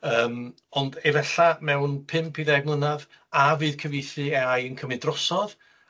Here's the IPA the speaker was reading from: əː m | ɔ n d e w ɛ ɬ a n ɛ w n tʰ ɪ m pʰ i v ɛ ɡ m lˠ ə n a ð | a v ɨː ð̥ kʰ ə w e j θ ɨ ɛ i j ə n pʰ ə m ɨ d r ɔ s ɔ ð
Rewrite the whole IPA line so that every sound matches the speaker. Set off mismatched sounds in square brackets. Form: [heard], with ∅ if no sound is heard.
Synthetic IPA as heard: əː m | ɔ n d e [v] ɛ ɬ a [m] ɛ w n [pʰ] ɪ m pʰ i [ð] ɛ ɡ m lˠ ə n a ð | a v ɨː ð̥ kʰ ə [v] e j θ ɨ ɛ [a] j ə n [kʰ] ə m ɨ d r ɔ s ɔ ð